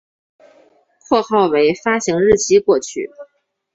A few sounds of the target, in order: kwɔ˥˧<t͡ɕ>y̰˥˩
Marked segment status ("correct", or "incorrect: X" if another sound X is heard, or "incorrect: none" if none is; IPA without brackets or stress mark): incorrect: t͡ɕʰ